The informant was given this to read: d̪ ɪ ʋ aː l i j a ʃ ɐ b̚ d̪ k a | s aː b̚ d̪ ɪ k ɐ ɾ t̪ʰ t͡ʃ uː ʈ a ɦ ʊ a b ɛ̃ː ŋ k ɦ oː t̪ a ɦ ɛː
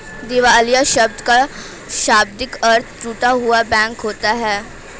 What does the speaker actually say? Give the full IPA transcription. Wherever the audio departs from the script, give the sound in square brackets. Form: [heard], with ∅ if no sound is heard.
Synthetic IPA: d̪ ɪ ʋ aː l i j a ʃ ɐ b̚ d̪ k a | [ʃ] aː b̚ d̪ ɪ k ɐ ɾ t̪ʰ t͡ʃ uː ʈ a ɦ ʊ a b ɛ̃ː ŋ k ɦ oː t̪ a ɦ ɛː

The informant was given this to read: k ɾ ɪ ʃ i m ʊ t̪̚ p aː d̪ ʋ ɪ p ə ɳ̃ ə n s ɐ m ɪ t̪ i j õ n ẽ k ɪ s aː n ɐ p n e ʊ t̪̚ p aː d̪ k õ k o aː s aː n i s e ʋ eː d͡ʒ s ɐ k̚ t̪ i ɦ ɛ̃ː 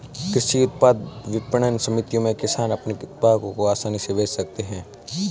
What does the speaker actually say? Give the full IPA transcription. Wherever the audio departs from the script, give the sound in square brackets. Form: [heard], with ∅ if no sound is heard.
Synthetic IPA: k ɾ ɪ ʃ i [∅] ʊ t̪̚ p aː d̪ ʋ ɪ p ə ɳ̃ ə n s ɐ m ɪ t̪ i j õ [m] ẽ k ɪ s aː n ɐ p n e ʊ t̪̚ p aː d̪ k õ k o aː s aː n i s e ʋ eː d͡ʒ s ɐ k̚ t̪ [e] ɦ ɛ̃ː

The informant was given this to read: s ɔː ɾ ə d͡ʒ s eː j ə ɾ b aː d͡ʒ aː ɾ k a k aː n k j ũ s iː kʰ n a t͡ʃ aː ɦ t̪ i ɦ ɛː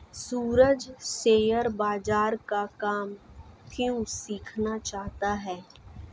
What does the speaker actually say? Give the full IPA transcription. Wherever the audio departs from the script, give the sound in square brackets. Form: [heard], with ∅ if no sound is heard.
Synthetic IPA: s [uː] ɾ ə d͡ʒ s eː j ə ɾ b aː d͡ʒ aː ɾ k a k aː [m] k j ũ s iː kʰ n a t͡ʃ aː ɦ t̪ [a] ɦ ɛː

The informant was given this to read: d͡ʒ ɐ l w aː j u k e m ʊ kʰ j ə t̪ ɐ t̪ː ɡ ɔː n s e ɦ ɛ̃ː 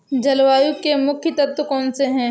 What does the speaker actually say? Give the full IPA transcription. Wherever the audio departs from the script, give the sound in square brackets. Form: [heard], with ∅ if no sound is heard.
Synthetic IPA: d͡ʒ ɐ l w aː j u k e m ʊ kʰ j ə t̪ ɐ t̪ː [k] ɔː n s e ɦ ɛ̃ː

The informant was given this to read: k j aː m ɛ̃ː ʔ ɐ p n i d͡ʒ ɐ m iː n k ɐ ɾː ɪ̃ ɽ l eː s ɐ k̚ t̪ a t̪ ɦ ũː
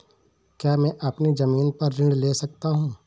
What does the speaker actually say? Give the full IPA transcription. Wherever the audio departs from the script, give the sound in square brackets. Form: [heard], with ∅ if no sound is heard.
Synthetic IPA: k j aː m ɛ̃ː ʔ ɐ p n i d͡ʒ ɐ m iː n [p] ɐ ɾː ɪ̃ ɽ l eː s ɐ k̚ t̪ a [∅] ɦ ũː

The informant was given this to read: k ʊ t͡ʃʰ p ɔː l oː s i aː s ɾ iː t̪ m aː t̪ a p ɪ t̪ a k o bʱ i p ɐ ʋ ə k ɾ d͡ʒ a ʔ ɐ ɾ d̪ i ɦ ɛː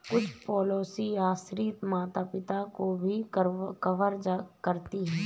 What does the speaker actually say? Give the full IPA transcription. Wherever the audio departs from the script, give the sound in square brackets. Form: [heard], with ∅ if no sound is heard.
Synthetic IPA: k ʊ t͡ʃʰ p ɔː l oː s i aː s ɾ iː t̪ m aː t̪ a p ɪ t̪ a k o bʱ i [k] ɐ ʋ ə [∅] ɾ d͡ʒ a [k] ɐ ɾ [t̪] i ɦ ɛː

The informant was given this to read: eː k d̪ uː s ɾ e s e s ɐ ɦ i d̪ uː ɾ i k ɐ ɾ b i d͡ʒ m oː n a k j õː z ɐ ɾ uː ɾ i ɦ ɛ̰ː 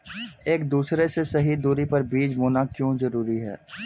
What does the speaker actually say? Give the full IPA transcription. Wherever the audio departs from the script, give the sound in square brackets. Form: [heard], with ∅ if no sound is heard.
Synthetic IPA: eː k d̪ uː s ɾ e s e s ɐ ɦ i d̪ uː ɾ i [p] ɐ ɾ b [iː] d͡ʒ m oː n a k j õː z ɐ ɾ uː ɾ i ɦ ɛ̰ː

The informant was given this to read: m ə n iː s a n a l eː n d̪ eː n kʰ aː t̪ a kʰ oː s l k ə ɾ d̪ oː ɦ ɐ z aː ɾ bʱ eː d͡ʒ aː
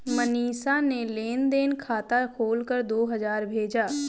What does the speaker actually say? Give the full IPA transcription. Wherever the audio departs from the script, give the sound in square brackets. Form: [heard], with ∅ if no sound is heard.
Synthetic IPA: m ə n iː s a n [e] l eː n d̪ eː n kʰ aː t̪ a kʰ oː [∅] l k ə ɾ d̪ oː ɦ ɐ z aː ɾ bʱ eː d͡ʒ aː

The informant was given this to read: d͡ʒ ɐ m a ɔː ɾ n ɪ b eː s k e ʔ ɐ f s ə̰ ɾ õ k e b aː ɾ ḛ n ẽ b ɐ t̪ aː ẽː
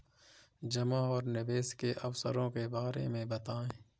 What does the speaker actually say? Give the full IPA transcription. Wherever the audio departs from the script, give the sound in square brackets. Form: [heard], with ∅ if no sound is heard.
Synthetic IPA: d͡ʒ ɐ m a ɔː ɾ n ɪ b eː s k e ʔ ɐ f s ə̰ ɾ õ k e b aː ɾ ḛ [m] ẽ b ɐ t̪ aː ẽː

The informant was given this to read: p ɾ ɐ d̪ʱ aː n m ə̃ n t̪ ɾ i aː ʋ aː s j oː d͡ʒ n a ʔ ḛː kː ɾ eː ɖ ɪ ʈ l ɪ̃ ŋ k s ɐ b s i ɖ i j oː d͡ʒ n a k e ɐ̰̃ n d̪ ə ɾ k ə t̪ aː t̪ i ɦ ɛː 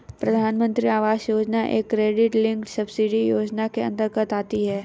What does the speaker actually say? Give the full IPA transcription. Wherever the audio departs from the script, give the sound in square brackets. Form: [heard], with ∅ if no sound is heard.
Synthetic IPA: p ɾ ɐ d̪ʱ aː n m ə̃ n t̪ ɾ i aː ʋ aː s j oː d͡ʒ n a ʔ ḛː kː ɾ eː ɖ ɪ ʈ l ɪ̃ ŋ k s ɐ b s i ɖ i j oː d͡ʒ n a k e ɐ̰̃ n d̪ ə ɾ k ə t̪ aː t̪ i ɦ ɛː

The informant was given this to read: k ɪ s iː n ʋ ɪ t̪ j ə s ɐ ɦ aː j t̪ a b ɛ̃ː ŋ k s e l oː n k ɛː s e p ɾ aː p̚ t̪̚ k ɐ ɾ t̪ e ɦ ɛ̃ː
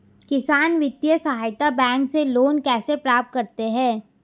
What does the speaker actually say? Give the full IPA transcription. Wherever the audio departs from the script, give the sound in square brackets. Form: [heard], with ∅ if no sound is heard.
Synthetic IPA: k ɪ s [aː] n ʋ ɪ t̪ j ə s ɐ ɦ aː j t̪ a b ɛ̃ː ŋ k s e l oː n k ɛː s e p ɾ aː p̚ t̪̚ k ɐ ɾ t̪ e ɦ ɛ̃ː

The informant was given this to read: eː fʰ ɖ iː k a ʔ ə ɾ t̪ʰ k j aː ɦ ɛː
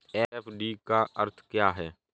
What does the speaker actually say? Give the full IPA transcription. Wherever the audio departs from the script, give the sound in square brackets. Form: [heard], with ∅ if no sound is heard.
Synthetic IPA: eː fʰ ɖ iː k a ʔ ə ɾ t̪ʰ k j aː ɦ ɛː

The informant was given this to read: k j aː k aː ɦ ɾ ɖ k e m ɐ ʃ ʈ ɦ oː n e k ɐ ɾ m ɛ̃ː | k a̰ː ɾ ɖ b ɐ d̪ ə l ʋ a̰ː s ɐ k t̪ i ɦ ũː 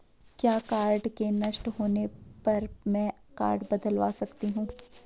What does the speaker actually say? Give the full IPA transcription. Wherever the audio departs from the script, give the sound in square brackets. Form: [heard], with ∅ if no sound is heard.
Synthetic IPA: k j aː k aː [∅] ɾ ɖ k e [n] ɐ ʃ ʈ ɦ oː n e [p] ɐ ɾ m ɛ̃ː | k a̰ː ɾ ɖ b ɐ d̪ ə l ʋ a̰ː s ɐ k t̪ i ɦ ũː

